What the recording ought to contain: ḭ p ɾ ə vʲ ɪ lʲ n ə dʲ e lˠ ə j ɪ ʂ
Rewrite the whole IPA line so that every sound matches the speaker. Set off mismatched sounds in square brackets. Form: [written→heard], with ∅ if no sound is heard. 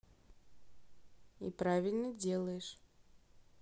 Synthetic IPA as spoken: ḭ p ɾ [ə→a] vʲ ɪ lʲ n ə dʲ e lˠ ə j ɪ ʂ